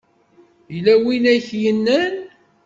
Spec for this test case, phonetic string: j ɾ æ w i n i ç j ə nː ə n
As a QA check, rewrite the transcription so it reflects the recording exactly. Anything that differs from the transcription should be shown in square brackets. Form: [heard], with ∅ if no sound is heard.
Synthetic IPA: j [l] æ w i n [æ] ç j ə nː ə n